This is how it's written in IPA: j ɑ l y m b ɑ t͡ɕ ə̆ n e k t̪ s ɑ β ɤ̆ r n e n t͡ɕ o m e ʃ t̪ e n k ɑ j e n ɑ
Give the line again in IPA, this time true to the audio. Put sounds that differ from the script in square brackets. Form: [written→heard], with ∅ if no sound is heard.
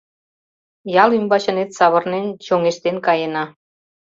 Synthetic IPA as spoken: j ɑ l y m b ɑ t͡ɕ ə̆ n e [k→∅] t̪ s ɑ β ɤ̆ r n e n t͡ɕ o [m→ŋ] e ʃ t̪ e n k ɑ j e n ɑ